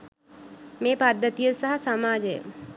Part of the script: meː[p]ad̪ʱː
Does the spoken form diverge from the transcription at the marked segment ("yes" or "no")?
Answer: no